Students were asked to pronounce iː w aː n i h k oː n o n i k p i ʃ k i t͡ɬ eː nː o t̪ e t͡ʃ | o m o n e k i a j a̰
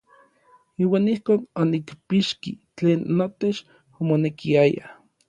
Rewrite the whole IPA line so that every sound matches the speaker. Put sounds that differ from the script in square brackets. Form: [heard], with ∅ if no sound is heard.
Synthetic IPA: iː w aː n i h k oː n o n i k p i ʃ k i t͡ɬ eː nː o t̪ e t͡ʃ | o m o n e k i a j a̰